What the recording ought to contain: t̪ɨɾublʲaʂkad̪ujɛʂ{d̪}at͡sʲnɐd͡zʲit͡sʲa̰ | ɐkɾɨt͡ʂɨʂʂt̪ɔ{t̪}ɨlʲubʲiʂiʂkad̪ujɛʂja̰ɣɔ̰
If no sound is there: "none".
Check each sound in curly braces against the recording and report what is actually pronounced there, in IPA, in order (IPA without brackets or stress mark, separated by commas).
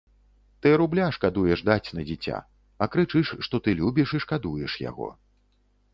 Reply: d̪, t̪